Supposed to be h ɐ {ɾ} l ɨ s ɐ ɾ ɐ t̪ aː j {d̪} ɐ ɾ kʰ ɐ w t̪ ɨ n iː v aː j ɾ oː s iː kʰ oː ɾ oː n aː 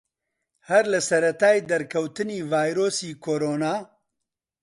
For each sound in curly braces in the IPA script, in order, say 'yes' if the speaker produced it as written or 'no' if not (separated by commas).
yes, yes